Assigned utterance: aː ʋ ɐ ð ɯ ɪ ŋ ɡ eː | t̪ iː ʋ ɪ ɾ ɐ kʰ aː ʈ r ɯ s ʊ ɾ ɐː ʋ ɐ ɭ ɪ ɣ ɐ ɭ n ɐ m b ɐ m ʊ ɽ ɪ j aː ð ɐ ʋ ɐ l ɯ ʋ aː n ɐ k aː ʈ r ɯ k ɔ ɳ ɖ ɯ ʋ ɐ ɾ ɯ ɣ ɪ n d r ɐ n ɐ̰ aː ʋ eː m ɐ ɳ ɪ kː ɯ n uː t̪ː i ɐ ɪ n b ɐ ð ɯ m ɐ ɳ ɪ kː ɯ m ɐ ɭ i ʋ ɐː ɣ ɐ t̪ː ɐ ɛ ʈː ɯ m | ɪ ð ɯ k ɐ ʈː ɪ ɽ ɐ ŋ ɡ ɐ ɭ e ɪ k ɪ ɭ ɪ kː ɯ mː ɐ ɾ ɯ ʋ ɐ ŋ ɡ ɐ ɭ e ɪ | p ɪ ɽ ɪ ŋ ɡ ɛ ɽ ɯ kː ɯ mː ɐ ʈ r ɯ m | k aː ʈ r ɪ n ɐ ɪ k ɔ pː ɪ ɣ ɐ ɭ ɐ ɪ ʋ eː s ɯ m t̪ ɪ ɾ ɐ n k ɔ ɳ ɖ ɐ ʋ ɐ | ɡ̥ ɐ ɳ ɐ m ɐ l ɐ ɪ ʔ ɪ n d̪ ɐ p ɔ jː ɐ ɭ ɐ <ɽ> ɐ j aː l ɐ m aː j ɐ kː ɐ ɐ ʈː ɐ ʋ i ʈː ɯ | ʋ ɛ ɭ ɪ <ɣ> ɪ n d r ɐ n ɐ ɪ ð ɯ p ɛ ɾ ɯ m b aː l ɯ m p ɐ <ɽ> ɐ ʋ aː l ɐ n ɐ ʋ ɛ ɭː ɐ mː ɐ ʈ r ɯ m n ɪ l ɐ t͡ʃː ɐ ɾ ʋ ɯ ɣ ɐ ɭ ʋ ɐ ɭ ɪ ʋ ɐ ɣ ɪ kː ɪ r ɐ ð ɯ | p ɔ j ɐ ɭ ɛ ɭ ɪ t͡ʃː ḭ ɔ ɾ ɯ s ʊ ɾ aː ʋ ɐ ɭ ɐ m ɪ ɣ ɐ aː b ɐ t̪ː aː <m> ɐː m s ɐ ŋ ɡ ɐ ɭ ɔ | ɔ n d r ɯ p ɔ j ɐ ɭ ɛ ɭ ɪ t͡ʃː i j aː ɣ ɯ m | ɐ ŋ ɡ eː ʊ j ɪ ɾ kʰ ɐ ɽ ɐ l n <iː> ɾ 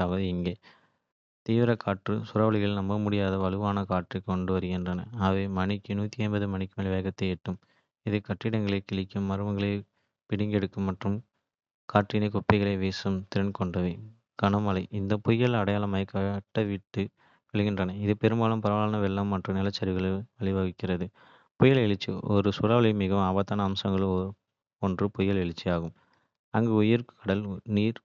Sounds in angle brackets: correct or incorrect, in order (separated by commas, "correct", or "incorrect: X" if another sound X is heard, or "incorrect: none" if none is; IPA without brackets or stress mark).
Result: correct, correct, incorrect: ɾ, incorrect: n, correct